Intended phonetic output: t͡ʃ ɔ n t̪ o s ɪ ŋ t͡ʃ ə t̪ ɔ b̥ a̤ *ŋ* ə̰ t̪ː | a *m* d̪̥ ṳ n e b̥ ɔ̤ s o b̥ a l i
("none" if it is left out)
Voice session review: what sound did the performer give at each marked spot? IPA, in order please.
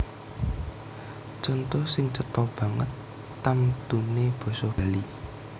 ŋ, m

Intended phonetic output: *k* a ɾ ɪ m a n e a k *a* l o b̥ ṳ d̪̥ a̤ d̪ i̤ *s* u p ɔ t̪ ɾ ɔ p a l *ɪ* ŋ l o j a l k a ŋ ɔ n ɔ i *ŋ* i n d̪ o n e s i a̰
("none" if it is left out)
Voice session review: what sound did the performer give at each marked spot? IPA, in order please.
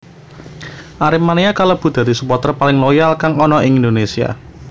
ʔ, a, s, ɪ, ŋ

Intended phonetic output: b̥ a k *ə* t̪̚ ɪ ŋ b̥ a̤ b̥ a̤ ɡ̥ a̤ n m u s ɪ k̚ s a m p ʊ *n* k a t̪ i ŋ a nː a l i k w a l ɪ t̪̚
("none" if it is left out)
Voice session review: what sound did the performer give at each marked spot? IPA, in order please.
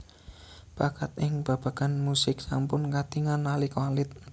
a, n

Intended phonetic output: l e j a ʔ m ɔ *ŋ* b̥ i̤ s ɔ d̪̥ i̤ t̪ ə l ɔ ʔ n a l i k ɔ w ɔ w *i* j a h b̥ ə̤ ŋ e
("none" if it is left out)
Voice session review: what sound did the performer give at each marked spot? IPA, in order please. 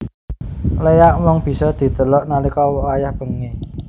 ŋ, a

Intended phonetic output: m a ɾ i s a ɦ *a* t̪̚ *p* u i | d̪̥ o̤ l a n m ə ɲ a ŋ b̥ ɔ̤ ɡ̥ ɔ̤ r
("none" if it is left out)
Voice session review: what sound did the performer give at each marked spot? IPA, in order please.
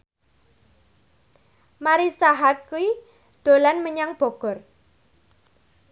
a, k

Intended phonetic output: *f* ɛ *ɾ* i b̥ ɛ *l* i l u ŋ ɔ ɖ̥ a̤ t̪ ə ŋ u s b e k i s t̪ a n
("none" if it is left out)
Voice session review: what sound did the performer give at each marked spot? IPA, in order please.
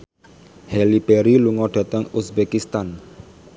h, l, ɾ

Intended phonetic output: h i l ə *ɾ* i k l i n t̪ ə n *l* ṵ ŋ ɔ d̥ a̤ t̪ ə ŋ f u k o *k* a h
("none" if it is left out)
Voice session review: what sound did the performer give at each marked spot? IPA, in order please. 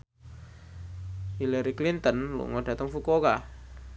ɾ, l, k

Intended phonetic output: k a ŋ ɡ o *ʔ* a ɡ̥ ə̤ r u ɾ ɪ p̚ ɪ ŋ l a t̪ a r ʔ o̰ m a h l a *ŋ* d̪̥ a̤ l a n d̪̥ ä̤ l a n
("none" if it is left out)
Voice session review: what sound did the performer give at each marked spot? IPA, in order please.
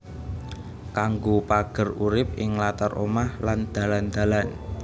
p, n

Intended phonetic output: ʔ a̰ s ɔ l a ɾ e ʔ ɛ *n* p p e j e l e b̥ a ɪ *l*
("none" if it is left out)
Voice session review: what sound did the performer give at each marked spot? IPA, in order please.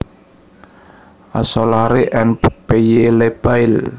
n, l

